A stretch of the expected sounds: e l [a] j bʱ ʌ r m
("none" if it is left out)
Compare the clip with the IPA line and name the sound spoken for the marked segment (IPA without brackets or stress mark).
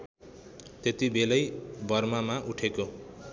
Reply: ʌ